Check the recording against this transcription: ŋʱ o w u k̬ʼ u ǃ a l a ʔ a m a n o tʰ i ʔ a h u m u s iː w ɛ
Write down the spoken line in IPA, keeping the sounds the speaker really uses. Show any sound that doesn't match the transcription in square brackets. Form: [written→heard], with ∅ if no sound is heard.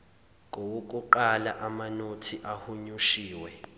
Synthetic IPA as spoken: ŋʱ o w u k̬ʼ u ǃ a l a ʔ a m a n o tʰ i ʔ a h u [m→ɲ] u [s→ʃ] iː w ɛ